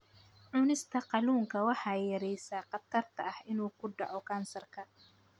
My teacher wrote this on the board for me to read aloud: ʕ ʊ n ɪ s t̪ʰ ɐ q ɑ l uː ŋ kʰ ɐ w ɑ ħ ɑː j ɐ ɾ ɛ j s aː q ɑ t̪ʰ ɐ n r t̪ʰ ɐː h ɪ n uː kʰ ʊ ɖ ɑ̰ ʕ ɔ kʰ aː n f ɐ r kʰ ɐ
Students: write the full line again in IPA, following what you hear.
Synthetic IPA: ʕ ʊ n ɪ s t̪ʰ ɐ q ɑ l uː ŋ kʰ ɐ w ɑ ħ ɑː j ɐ ɾ ɛ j s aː q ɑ t̪ʰ ɐ r t̪ʰ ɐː h ɪ n uː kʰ ʊ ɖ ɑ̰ ʕ ɔ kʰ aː n s ɐ r kʰ ɐ